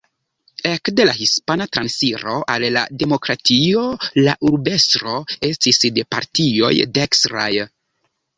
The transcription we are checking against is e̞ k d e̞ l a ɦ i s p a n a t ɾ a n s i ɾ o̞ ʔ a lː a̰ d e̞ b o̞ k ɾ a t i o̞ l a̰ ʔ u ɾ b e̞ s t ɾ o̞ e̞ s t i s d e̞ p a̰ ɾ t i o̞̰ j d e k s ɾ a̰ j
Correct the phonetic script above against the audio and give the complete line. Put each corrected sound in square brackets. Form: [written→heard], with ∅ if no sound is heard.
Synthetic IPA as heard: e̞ k d e̞ l a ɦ i s p a n a t ɾ a n s i ɾ o̞ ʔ a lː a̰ d e̞ [b→m] o̞ k ɾ a t i o̞ l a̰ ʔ u ɾ b e̞ s t ɾ o̞ e̞ s t i s d e̞ p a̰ ɾ t i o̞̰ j d e k s ɾ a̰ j